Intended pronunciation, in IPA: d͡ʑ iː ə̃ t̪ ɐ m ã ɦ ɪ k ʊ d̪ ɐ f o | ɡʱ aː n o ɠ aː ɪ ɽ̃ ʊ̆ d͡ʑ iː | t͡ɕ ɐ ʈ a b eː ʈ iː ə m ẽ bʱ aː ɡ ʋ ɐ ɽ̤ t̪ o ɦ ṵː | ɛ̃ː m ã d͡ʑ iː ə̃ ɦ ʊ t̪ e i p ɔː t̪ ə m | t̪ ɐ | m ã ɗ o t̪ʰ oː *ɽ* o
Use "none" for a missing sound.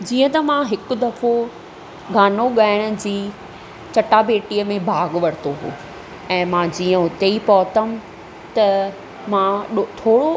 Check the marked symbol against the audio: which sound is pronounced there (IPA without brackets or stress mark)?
ɽ